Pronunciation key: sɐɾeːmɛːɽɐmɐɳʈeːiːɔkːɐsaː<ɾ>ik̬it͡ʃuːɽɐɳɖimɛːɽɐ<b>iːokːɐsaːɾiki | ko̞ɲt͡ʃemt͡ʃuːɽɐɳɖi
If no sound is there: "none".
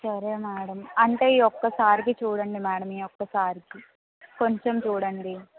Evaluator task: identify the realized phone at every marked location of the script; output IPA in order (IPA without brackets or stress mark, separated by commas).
ɾ, m